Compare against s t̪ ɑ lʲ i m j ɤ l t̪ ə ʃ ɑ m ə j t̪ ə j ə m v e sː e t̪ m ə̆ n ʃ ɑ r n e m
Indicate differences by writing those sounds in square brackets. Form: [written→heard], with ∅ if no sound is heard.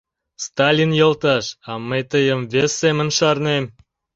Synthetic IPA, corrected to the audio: s t̪ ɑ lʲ i [m→n] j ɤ l t̪ [ə→ɑ] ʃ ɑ m ə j t̪ ə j ə m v e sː e [t̪→∅] m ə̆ n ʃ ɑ r n e m